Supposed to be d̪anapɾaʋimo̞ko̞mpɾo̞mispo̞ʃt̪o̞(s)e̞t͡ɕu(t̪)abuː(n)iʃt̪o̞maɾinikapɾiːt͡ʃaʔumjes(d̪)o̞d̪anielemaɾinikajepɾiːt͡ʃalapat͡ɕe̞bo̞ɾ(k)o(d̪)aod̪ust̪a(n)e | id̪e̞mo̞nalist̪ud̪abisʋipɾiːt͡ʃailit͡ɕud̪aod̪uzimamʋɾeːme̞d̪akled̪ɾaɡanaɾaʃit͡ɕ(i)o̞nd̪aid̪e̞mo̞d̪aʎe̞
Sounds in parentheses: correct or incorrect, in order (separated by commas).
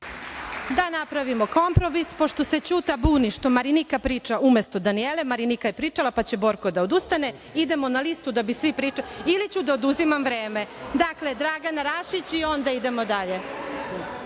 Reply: correct, correct, correct, incorrect, correct, correct, correct, correct